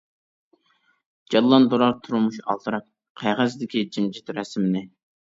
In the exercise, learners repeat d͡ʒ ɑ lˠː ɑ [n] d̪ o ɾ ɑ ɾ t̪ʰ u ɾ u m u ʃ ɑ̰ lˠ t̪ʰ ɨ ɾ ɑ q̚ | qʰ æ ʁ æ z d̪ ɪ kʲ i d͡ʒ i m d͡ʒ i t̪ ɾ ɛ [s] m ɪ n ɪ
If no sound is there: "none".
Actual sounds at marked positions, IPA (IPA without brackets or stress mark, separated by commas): n, s